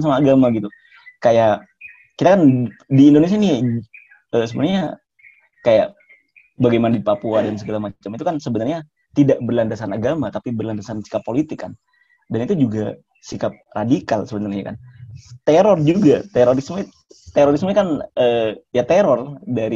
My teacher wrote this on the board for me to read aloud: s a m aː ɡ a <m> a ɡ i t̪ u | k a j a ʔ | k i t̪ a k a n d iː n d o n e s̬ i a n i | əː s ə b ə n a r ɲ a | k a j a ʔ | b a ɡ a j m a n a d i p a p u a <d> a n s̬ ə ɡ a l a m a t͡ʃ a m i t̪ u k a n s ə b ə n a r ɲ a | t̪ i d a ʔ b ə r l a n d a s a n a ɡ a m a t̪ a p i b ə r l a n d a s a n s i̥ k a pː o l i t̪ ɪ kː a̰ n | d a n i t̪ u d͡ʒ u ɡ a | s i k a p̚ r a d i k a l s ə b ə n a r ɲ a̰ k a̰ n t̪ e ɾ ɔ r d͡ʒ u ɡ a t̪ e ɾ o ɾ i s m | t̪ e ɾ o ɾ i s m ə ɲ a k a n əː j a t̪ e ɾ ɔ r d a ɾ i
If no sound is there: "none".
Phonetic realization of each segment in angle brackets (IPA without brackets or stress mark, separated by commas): m, d